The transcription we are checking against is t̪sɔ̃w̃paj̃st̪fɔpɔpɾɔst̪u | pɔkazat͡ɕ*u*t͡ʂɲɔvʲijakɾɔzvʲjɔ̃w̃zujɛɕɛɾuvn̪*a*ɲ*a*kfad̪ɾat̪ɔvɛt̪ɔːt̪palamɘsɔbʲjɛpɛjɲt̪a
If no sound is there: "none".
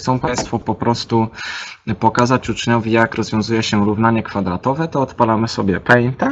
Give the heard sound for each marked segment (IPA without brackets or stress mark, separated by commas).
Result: u, a, ɛ